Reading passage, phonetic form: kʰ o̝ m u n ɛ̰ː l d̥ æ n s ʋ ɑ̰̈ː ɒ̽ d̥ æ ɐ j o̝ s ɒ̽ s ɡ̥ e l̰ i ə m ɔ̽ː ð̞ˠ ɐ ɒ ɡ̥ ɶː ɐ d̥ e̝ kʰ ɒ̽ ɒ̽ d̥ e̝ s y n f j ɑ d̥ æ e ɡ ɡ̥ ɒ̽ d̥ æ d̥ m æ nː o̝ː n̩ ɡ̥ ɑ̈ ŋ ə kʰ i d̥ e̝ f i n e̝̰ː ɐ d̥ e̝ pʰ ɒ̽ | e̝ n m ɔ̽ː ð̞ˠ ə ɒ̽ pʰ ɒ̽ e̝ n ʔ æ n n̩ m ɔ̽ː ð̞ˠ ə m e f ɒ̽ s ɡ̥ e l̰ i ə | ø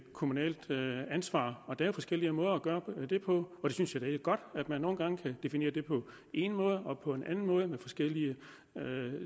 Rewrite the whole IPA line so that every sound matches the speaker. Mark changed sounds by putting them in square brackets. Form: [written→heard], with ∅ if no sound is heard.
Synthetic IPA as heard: kʰ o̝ m u n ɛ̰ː l d̥ æ n s ʋ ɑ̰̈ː ɒ̽ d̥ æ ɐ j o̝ [s→f] ɒ̽ s ɡ̥ e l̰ i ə m ɔ̽ː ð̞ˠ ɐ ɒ ɡ̥ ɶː ɐ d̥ e̝ [kʰ→pʰ] ɒ̽ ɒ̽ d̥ e̝ s y n [f→s] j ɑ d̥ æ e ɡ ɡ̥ ɒ̽ d̥ æ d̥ m æ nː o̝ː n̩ ɡ̥ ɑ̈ ŋ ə kʰ [i→æ] d̥ e̝ f i n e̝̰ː ɐ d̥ e̝ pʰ ɒ̽ | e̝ n m ɔ̽ː ð̞ˠ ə ɒ̽ pʰ ɒ̽ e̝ n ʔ æ n n̩ m ɔ̽ː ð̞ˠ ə m e f ɒ̽ s ɡ̥ e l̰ i ə | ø